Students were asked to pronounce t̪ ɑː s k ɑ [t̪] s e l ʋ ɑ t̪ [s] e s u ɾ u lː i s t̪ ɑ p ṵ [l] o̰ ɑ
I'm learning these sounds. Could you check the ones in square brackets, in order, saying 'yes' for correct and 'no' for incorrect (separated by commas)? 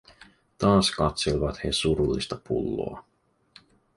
yes, no, no